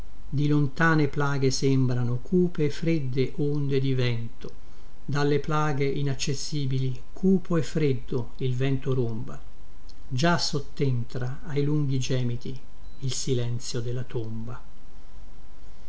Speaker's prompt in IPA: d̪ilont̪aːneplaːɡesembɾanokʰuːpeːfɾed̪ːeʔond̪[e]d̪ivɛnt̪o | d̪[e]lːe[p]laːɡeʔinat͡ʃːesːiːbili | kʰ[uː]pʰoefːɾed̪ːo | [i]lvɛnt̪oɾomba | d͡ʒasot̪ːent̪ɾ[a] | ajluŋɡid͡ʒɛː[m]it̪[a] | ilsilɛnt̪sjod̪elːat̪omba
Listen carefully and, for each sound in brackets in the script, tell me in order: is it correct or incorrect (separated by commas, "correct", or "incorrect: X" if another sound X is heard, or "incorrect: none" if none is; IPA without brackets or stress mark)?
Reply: correct, incorrect: a, correct, correct, correct, correct, correct, incorrect: i